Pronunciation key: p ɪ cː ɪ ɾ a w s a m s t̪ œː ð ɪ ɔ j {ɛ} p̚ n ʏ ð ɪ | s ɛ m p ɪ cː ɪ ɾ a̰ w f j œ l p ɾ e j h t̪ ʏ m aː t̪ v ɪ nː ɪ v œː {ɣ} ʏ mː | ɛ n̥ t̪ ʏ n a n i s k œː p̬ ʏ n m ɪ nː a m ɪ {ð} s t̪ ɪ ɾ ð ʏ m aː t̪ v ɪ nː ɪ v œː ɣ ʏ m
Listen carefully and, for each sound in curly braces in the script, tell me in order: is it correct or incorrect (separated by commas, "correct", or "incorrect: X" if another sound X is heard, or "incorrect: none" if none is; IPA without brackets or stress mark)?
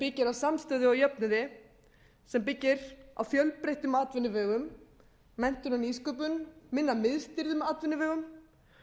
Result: incorrect: œ, correct, correct